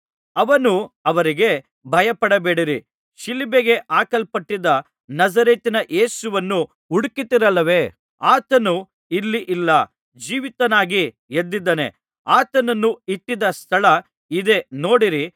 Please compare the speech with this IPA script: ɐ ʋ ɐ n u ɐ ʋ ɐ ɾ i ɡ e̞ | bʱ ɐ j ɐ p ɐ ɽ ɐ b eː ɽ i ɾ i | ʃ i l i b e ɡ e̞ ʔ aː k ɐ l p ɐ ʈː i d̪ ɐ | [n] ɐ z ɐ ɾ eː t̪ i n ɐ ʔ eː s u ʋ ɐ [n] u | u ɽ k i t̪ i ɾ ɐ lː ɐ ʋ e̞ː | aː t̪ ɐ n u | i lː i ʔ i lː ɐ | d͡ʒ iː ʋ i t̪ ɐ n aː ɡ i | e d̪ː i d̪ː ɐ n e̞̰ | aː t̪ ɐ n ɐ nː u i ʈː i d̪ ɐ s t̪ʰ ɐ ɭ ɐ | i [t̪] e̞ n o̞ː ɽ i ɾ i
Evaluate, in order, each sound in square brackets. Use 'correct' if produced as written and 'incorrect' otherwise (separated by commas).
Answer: correct, incorrect, incorrect